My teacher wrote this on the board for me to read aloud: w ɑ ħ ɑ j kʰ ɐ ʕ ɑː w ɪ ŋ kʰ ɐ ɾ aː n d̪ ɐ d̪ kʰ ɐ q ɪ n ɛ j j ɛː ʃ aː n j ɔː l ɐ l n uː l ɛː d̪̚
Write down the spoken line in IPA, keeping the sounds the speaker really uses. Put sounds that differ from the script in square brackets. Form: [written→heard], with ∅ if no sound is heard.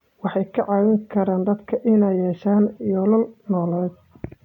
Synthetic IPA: w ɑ ħ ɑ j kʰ ɐ ʕ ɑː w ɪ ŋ kʰ ɐ ɾ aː n d̪ ɐ d̪ kʰ ɐ [q→ʔ] ɪ n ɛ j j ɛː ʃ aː n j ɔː l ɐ l n [uː→ɔː] l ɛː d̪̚